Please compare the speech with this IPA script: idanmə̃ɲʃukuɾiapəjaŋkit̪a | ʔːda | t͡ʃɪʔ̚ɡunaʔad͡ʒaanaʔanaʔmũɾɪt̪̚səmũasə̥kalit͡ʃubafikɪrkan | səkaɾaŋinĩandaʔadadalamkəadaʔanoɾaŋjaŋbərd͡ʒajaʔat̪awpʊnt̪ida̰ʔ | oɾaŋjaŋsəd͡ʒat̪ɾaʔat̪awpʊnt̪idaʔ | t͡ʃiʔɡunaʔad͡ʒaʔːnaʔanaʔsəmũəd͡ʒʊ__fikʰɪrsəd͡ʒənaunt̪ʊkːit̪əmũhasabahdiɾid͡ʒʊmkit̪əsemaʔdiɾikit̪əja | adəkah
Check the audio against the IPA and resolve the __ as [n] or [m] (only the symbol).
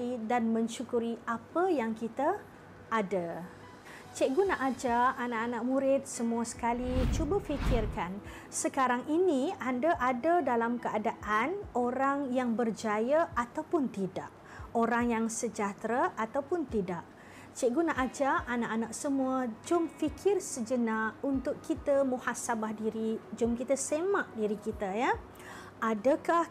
m